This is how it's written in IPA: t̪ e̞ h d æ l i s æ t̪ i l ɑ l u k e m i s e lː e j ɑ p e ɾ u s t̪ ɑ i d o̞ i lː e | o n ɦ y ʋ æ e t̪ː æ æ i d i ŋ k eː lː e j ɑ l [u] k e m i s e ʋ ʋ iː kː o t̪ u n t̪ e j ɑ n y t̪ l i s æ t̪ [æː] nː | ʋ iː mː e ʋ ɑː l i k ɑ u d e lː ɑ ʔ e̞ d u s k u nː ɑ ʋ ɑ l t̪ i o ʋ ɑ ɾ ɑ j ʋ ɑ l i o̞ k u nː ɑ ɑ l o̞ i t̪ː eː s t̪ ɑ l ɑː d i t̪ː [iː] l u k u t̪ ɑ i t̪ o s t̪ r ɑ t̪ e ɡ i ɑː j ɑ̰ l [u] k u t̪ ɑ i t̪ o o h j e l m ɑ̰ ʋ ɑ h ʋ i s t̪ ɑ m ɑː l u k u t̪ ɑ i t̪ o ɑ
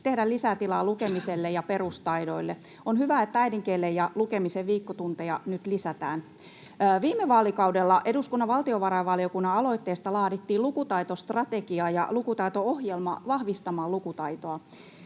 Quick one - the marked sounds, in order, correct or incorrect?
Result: correct, correct, correct, correct

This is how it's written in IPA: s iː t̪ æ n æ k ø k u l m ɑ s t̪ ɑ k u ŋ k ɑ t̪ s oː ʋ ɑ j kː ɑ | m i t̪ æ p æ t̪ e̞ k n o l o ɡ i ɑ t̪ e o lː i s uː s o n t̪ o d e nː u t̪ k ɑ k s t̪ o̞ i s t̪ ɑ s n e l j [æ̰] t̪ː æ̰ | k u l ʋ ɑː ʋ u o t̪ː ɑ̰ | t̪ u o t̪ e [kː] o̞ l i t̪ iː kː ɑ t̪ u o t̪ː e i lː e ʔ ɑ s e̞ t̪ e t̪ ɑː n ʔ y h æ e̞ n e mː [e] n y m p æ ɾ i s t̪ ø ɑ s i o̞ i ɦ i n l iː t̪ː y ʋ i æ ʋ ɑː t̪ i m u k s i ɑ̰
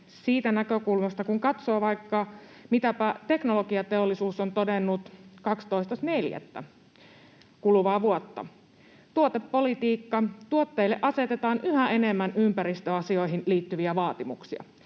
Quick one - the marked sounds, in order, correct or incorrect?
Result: correct, incorrect, incorrect

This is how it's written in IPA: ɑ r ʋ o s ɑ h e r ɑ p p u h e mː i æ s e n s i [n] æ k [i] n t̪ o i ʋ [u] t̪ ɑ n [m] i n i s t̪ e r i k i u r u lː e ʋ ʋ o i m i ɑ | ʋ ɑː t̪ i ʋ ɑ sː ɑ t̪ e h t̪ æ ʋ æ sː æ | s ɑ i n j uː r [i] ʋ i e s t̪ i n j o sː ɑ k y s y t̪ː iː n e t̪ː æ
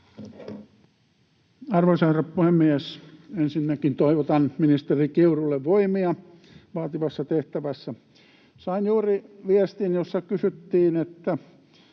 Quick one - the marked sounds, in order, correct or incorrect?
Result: incorrect, correct, incorrect, correct, correct

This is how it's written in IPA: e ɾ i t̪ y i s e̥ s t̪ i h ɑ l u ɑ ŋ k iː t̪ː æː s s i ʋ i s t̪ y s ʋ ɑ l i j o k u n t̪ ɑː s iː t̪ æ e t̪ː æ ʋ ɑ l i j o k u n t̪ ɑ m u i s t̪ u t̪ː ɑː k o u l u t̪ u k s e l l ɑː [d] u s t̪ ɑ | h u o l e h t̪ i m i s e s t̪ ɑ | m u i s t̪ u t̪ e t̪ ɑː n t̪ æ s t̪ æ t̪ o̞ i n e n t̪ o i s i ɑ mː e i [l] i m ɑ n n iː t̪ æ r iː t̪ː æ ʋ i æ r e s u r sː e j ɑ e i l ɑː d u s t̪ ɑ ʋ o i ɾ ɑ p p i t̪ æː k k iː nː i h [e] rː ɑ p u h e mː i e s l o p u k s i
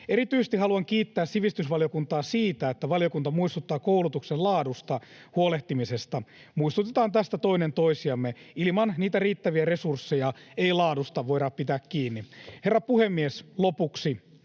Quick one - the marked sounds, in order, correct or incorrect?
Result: correct, correct, correct

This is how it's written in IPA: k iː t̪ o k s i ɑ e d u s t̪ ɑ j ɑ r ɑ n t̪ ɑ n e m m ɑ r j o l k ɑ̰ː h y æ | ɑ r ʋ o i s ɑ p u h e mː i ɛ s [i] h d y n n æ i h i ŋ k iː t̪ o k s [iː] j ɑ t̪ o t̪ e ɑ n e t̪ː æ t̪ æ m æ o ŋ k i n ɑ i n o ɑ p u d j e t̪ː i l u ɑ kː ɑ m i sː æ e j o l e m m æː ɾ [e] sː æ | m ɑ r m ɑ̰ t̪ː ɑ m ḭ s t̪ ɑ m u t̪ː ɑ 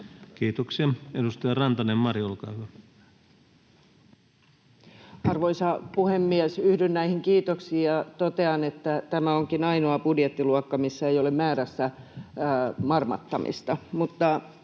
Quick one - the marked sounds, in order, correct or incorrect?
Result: incorrect, correct, incorrect

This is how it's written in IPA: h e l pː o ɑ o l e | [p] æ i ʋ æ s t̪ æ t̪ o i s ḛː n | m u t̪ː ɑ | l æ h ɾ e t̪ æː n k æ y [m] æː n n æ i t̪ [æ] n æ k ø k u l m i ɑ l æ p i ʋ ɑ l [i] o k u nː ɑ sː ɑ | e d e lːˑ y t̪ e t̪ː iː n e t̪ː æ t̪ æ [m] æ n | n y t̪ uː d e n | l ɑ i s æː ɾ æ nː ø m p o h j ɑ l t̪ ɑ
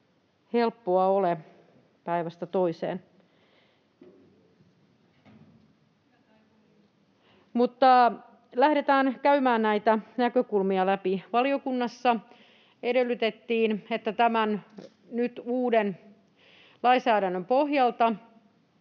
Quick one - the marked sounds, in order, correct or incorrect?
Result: correct, correct, correct, correct, correct

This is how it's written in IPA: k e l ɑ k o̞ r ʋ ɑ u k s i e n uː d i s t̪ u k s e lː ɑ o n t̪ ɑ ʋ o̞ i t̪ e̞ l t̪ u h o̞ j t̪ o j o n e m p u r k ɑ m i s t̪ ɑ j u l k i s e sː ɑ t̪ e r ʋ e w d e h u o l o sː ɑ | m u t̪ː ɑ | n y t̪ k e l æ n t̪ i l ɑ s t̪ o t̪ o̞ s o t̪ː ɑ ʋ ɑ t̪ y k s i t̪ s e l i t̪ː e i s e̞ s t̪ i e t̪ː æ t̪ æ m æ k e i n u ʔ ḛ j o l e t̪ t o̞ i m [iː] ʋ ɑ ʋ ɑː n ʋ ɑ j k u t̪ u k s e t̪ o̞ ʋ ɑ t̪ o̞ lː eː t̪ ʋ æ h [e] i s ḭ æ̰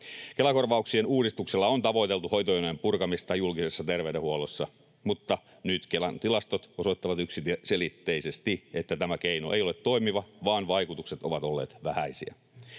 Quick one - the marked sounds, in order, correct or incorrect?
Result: incorrect, incorrect

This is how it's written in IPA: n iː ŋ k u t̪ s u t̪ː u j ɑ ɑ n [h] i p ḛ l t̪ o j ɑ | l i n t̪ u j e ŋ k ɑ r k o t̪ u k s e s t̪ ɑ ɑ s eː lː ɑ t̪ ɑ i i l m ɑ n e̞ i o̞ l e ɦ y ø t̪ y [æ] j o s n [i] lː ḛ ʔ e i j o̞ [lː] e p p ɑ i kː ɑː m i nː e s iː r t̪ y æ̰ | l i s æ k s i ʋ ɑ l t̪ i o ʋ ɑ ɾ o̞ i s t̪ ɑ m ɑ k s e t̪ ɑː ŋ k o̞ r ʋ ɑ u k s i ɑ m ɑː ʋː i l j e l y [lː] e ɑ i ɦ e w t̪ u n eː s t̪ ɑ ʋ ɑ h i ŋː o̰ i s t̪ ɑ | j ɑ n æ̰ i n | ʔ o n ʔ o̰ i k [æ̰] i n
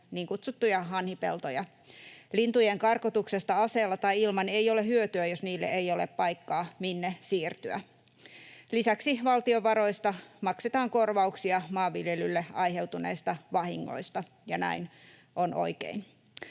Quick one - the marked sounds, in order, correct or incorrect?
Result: correct, correct, incorrect, incorrect, correct, incorrect

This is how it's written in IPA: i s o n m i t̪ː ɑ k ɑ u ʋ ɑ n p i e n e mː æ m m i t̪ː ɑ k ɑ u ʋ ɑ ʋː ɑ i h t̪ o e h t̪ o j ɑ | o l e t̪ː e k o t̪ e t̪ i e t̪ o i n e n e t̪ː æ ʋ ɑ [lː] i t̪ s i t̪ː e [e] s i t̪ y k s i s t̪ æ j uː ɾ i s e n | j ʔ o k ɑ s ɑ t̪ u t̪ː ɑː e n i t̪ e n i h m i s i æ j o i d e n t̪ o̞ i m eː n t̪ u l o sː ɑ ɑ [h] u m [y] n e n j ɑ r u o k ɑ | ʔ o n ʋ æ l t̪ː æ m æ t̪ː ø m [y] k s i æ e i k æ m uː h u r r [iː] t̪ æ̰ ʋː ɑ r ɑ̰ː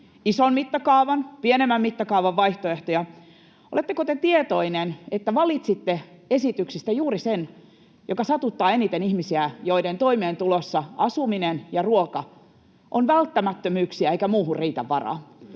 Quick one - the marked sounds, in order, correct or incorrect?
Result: incorrect, correct, incorrect, incorrect, incorrect, correct

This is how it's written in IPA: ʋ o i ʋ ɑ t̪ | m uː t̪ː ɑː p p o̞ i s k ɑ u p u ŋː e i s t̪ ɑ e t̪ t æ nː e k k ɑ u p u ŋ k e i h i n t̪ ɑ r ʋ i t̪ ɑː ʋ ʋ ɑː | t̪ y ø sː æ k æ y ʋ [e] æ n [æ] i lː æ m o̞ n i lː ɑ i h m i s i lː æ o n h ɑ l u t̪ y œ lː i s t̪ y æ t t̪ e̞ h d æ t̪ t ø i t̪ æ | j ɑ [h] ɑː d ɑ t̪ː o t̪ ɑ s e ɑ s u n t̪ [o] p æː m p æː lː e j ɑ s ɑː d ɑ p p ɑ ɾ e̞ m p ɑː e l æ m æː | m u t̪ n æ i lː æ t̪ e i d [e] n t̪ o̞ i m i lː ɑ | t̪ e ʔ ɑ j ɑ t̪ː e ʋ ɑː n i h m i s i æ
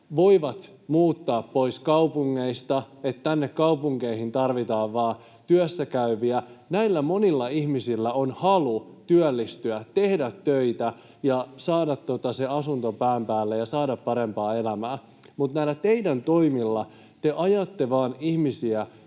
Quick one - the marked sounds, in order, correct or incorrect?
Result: incorrect, correct, incorrect, correct, incorrect

